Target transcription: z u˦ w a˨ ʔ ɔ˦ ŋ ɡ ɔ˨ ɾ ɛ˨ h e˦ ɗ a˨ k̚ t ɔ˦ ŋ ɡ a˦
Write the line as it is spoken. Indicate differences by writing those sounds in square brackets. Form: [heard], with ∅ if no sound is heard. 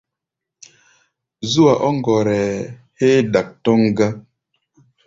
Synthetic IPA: z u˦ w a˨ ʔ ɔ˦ ŋ ɡ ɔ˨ ɾ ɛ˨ h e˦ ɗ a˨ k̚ t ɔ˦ ŋ ɡ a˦